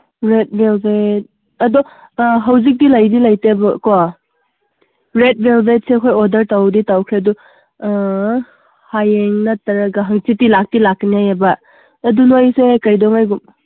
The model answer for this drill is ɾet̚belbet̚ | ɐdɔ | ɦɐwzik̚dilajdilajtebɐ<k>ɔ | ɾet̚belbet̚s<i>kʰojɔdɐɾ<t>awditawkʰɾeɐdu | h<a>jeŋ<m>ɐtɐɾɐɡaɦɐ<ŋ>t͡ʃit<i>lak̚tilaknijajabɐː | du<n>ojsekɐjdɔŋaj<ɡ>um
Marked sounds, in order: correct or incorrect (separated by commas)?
correct, incorrect, correct, correct, incorrect, correct, correct, correct, correct